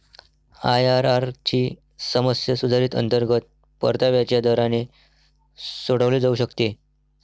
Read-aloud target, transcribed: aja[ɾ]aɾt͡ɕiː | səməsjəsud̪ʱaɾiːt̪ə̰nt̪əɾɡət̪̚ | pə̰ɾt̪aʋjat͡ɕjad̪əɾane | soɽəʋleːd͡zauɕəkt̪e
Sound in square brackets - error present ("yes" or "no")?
no